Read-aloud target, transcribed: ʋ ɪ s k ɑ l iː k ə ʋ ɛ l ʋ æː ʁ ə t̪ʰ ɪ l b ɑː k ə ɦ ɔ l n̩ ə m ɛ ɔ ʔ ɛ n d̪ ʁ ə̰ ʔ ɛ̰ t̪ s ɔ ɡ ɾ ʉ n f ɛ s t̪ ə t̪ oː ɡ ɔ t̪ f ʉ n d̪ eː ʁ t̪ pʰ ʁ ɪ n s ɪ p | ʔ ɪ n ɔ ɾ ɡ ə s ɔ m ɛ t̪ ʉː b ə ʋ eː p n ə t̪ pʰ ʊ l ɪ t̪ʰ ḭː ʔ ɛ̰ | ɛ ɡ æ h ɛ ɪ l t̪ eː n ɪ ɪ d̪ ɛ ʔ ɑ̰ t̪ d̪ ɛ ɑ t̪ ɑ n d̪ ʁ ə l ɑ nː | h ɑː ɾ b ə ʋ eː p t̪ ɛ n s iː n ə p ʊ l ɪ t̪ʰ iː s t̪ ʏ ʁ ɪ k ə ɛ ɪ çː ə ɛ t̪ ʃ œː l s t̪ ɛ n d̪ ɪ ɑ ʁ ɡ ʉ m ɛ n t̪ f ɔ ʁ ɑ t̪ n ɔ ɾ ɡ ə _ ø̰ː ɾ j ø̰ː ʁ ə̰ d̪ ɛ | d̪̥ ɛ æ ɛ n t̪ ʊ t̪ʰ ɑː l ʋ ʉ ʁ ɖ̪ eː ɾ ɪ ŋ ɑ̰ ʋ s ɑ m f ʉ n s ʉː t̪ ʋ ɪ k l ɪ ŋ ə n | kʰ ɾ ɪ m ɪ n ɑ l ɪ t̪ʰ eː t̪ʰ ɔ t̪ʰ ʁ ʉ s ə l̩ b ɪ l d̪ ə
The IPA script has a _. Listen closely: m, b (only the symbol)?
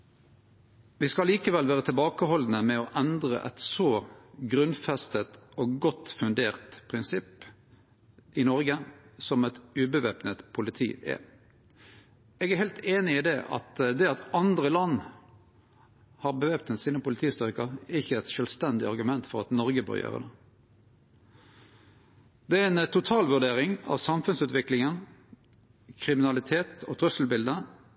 b